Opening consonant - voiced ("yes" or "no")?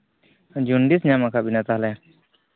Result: yes